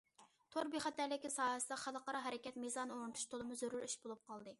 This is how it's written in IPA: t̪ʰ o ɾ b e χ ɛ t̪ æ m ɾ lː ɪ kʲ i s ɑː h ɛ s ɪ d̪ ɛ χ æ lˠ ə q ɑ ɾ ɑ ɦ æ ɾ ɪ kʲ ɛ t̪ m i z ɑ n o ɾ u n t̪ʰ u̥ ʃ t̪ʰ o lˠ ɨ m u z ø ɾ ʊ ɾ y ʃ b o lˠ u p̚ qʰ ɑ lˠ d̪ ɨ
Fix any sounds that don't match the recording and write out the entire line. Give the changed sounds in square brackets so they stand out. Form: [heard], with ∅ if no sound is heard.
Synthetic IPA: t̪ʰ o ɾ b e χ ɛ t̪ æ [∅] ɾ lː ɪ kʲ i s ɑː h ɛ s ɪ d̪ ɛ χ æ lˠ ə q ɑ ɾ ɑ ɦ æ ɾ ɪ kʲ ɛ t̪ m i z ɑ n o ɾ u n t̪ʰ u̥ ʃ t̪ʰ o lˠ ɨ m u z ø ɾ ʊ ɾ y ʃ b o lˠ u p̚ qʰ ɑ lˠ d̪ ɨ